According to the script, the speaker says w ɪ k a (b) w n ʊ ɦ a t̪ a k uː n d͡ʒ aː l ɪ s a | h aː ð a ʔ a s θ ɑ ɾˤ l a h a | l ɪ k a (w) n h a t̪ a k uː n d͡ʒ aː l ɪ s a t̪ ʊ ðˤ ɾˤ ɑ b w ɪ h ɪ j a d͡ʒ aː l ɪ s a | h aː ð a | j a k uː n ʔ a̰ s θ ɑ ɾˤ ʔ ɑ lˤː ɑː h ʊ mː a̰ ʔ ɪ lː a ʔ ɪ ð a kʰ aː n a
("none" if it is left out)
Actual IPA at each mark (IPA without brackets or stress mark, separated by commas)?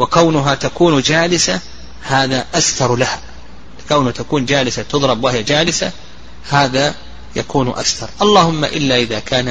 none, w